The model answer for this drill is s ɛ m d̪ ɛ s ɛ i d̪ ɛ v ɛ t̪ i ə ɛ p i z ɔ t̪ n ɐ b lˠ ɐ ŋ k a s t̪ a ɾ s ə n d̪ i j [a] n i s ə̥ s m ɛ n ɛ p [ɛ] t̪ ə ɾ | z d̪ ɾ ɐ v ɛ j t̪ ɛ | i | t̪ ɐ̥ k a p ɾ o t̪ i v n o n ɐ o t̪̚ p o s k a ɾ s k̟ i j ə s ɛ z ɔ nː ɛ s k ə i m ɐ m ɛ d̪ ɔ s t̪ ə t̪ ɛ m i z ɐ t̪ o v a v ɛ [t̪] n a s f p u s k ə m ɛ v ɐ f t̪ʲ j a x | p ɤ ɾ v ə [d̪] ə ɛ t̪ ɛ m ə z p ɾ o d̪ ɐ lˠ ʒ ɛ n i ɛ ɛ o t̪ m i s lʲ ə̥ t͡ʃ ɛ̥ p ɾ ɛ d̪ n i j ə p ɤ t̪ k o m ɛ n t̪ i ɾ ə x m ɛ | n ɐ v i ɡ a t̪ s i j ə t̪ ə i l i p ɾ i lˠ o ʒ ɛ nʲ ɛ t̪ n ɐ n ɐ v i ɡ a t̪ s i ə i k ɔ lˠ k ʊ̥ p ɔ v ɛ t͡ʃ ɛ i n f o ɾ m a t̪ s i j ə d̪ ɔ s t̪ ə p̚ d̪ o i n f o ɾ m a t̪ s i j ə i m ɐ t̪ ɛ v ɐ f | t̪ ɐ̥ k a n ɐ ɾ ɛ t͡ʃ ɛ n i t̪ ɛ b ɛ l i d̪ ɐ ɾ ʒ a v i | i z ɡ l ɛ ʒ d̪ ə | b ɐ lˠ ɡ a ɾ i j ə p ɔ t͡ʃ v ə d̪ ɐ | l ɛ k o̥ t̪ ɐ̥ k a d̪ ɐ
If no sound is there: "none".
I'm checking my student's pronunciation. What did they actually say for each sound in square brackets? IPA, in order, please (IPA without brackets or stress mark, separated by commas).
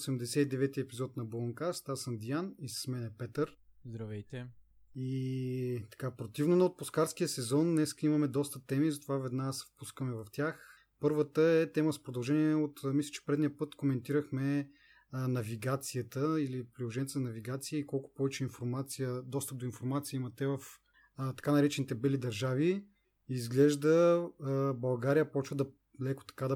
a, ɛ, d̪, t̪